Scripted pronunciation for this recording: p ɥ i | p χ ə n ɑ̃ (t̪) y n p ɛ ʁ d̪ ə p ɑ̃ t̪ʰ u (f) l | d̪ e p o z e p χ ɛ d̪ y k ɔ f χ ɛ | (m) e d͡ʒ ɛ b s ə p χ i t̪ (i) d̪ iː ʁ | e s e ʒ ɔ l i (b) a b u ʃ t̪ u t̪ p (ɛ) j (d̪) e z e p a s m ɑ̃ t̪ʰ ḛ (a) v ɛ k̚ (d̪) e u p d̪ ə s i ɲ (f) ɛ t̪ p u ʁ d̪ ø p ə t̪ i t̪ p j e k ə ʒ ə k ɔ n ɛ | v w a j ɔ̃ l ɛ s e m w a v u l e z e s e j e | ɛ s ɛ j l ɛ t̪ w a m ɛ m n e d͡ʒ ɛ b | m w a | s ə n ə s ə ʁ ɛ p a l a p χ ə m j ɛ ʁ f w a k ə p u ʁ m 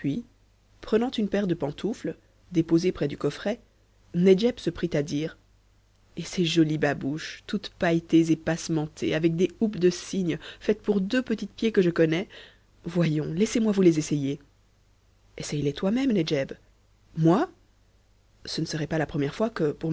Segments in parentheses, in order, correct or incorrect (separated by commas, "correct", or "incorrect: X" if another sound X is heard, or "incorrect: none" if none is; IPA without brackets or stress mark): correct, correct, incorrect: n, incorrect: a, correct, incorrect: a, incorrect: t̪, correct, correct, correct